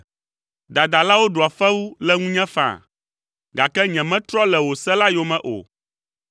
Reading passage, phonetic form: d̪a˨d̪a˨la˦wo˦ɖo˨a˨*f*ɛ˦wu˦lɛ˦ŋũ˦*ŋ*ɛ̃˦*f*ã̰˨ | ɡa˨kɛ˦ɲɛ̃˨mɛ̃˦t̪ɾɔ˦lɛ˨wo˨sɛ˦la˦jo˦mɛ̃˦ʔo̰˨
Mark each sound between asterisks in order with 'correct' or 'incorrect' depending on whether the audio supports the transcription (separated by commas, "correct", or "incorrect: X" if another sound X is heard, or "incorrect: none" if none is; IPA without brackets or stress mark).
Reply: correct, incorrect: ɲ, correct